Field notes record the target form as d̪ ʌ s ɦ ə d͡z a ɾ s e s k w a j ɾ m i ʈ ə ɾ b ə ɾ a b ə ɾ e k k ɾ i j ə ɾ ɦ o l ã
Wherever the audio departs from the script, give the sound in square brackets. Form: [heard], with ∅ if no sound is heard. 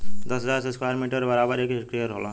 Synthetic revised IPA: d̪ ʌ s ɦ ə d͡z a ɾ s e s k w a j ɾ m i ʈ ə ɾ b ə ɾ a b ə ɾ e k k ɾ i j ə ɾ ɦ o l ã